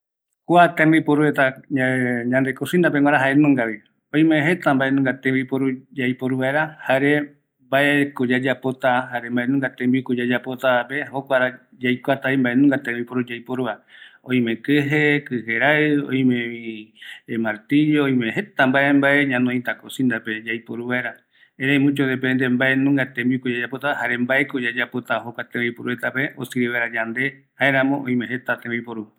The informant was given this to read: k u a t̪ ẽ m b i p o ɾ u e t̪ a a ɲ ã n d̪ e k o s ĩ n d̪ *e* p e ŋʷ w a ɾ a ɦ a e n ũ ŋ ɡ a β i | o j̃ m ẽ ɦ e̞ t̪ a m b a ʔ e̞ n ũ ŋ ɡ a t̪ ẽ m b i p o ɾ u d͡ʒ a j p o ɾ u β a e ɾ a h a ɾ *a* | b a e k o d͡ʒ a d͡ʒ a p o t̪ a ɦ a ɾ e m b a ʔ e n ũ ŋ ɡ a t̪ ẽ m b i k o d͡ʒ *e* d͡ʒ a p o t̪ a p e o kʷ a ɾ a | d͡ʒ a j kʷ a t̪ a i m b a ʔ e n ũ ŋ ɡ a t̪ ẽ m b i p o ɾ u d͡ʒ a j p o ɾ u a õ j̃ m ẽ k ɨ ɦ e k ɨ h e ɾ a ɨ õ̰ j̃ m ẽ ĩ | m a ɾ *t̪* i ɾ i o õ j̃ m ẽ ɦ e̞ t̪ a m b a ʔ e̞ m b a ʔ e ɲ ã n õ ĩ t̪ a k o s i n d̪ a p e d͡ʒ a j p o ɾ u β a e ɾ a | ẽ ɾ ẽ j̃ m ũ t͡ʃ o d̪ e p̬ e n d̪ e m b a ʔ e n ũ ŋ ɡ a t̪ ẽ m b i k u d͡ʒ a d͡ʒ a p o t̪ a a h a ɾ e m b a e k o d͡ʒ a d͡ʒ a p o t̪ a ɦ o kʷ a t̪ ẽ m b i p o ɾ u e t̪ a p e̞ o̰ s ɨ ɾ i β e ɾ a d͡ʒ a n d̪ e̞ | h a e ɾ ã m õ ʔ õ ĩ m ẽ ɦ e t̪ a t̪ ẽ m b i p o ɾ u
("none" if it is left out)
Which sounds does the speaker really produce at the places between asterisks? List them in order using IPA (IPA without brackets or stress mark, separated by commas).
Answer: a, e, a, t̪